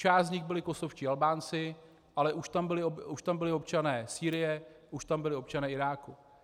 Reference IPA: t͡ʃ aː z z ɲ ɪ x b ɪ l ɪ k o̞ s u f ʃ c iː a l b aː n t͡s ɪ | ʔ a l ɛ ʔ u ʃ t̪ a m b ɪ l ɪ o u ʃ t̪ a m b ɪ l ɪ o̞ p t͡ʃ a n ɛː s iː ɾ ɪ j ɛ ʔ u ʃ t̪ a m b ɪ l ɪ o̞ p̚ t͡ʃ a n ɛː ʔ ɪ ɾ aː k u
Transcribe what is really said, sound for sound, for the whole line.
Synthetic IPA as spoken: t͡ʃ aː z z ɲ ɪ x b ɪ l ɪ k o̞ s o f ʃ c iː a l b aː n t͡s ɪ | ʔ a l ɛ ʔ u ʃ t̪ a m b ɪ l ɪ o u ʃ t̪ a m b ɪ l ɪ o̞ p t͡ʃ a n ɛː s iː ɾ ɪ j ɛ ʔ u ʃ t̪ a m b ɪ l ɪ o̞ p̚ t͡ʃ a n ɛː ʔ ɪ ɾ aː k u